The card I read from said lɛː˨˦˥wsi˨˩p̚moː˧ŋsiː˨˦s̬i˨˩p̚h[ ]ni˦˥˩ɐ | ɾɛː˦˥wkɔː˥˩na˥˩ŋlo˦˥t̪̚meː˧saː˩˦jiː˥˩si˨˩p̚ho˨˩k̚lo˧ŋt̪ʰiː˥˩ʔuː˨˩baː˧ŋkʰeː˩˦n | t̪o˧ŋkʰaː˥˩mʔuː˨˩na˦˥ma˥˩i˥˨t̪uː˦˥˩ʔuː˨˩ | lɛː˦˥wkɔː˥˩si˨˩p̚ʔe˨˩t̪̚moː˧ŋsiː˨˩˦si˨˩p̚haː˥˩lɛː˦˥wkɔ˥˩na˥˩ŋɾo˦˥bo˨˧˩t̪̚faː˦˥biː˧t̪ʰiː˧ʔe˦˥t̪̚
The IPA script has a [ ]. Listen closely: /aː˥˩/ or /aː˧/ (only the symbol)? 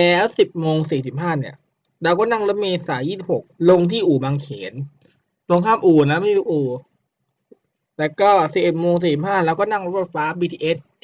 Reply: aː˥˩